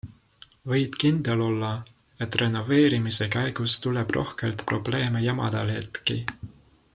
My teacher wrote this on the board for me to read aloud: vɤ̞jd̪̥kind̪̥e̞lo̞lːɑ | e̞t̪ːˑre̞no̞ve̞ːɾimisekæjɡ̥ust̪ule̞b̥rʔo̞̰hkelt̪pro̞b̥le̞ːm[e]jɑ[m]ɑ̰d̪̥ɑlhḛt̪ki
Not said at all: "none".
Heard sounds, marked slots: e, m

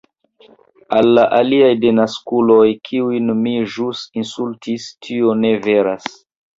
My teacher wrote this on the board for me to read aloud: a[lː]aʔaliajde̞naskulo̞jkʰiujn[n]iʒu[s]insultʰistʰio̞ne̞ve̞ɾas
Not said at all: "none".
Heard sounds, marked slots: lː, m, s

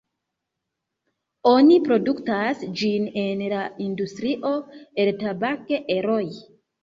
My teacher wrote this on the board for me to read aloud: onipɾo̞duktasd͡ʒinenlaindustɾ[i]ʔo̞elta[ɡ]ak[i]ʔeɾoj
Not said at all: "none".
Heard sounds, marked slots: i, b, e

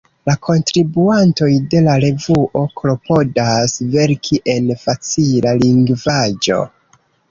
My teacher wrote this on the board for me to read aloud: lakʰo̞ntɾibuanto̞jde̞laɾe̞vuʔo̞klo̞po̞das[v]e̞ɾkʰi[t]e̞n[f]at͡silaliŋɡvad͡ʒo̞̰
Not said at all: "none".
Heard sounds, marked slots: v, ʔ, f

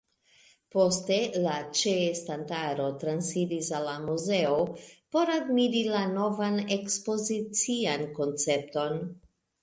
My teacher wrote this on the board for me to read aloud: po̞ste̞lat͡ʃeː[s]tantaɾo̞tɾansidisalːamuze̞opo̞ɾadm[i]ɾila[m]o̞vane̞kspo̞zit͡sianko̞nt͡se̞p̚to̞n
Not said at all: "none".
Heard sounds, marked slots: s, i, n

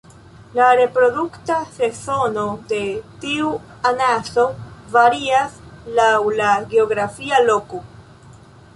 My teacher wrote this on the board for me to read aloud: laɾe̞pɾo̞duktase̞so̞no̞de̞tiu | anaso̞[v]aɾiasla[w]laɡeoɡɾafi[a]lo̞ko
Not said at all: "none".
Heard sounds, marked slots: v, w, a

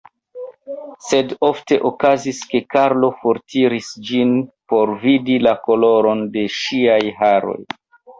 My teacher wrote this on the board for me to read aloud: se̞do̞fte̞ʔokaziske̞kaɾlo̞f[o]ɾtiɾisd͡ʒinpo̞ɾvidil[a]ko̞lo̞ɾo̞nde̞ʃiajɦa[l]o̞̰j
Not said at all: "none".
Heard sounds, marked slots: o, a, ɾ

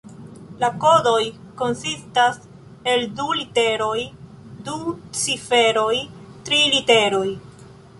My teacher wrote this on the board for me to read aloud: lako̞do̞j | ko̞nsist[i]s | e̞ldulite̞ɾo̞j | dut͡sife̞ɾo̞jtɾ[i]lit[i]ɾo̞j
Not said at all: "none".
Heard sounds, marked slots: a, i, e

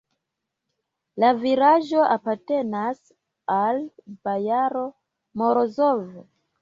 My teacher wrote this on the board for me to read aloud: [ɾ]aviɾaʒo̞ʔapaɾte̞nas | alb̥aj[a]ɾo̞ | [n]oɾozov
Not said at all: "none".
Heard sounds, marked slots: l, a, m

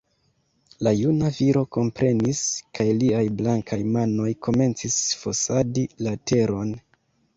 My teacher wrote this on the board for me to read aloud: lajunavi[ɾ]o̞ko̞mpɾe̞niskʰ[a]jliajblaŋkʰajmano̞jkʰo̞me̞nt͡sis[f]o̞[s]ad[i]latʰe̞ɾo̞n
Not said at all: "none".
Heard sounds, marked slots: ɾ, a, f, s, i

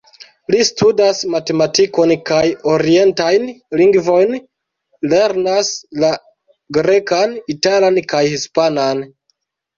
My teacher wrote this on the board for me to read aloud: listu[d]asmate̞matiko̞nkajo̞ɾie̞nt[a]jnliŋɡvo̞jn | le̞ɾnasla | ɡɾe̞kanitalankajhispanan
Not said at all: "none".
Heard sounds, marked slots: d, a

